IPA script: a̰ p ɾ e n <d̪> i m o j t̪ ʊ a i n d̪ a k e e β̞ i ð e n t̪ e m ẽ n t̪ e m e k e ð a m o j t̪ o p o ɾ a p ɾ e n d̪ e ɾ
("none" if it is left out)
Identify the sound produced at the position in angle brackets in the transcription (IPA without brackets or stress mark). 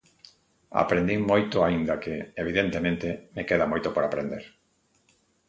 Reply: d̪